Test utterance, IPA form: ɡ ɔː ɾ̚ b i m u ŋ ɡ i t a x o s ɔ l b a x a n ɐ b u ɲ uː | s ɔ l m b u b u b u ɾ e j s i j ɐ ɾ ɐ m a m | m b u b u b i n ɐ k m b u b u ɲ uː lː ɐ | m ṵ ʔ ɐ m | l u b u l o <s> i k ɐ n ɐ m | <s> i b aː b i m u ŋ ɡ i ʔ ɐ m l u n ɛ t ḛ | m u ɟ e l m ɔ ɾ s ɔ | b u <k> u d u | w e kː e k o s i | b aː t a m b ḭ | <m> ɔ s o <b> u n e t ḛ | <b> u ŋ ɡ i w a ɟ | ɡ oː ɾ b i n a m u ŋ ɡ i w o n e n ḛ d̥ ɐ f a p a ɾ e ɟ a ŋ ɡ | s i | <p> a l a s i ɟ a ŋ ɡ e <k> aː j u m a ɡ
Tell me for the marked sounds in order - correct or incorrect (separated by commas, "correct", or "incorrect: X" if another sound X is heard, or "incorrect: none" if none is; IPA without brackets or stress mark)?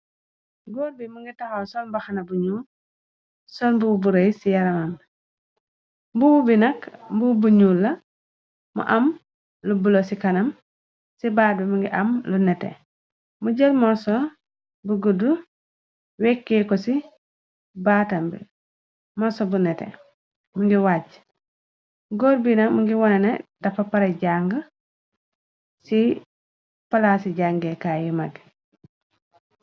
correct, correct, incorrect: ɡ, correct, correct, incorrect: m, correct, correct